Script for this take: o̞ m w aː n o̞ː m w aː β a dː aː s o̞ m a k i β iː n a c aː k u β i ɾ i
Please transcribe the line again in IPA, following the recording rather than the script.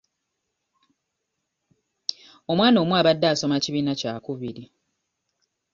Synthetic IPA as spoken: o̞ m w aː n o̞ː m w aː β a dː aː s o̞ m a c i β iː n a c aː k u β i ɾ i